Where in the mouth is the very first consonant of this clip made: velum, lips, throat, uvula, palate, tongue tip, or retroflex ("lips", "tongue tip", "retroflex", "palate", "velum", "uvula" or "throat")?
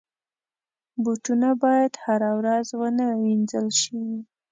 lips